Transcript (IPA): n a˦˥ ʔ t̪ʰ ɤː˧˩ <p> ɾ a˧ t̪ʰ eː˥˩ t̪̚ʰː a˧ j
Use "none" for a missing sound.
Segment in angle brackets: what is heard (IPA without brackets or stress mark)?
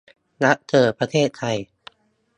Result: p